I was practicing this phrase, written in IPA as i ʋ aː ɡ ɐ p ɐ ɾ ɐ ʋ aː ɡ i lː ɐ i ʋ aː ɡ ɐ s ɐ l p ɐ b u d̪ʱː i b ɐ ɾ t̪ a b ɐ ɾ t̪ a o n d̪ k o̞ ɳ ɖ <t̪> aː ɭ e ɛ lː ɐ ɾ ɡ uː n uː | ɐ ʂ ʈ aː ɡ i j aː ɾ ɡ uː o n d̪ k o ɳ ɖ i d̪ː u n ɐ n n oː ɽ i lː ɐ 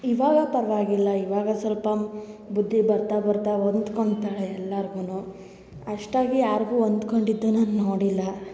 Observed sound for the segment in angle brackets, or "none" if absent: t̪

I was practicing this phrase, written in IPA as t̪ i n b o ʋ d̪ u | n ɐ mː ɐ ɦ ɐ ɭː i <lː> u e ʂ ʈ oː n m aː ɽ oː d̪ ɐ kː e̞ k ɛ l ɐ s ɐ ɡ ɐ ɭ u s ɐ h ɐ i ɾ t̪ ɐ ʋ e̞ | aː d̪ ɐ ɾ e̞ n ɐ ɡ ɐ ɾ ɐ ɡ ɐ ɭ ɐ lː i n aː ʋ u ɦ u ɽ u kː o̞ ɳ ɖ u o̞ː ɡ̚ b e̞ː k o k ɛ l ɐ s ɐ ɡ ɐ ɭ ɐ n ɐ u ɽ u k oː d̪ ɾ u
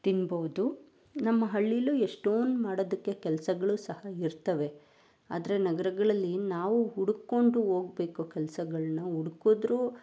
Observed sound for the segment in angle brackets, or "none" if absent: l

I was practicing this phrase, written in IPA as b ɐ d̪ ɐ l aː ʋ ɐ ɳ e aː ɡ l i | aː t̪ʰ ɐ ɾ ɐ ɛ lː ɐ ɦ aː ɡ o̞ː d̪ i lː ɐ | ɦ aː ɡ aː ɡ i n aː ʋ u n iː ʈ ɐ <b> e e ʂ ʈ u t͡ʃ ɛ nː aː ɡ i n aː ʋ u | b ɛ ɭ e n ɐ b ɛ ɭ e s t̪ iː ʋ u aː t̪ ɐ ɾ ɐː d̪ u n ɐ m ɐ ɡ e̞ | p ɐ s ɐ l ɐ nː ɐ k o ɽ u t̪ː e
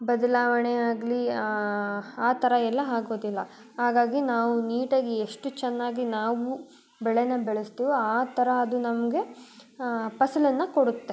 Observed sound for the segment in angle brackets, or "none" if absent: ɡ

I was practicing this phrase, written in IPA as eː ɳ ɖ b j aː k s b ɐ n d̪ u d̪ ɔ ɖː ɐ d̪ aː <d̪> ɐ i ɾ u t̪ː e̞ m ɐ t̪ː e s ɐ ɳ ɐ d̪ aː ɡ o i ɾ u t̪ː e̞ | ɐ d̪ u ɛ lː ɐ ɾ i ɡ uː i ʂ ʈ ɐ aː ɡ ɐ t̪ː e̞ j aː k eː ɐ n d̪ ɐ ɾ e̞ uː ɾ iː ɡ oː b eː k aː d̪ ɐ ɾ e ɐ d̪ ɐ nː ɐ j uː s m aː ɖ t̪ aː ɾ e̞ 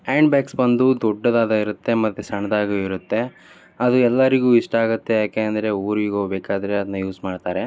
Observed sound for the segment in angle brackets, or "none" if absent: d̪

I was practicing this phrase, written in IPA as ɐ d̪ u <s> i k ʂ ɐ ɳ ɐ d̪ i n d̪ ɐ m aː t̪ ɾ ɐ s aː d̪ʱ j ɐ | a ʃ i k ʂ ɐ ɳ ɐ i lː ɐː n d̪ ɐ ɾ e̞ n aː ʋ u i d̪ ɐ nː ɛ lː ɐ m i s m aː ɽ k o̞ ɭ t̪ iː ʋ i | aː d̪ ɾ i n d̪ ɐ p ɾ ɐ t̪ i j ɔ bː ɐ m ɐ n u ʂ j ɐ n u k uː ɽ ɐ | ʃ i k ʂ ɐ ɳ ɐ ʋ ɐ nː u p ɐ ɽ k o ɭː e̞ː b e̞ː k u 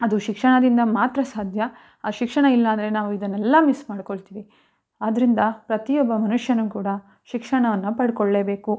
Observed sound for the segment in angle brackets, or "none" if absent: ʃ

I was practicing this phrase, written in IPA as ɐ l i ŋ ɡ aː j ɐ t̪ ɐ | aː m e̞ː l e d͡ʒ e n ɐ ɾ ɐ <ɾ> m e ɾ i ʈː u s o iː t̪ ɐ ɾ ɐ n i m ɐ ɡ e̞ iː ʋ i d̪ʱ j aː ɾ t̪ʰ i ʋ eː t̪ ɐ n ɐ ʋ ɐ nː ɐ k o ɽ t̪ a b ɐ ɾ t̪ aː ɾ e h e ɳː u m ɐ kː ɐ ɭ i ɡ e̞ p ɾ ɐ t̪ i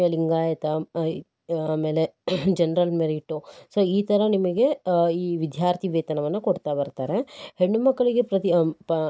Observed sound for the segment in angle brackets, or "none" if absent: l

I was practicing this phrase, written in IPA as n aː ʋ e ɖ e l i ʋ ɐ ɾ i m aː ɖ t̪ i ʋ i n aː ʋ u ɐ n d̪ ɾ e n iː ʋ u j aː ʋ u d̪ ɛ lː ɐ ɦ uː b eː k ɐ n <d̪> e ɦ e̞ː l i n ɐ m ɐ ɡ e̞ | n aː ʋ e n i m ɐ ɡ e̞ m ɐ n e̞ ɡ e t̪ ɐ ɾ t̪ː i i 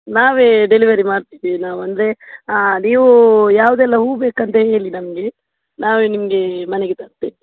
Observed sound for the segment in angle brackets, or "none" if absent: t̪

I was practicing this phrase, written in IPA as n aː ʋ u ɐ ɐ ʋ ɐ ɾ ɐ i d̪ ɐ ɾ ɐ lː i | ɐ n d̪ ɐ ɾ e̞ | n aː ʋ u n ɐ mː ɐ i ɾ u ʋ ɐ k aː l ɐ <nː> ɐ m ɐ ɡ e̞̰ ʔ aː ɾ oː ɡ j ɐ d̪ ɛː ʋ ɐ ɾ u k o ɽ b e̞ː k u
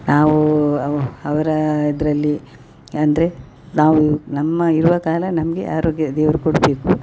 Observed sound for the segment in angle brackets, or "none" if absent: n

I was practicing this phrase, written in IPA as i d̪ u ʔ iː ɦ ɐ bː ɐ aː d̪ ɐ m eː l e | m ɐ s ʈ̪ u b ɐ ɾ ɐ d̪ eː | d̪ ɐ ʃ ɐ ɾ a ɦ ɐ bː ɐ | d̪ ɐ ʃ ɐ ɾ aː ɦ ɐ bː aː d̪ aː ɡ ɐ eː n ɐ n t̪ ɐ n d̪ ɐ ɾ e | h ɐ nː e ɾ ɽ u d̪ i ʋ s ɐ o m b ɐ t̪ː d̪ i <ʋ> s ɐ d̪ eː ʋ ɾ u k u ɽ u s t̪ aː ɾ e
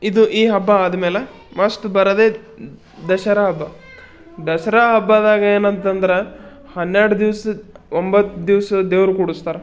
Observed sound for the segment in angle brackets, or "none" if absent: ʋ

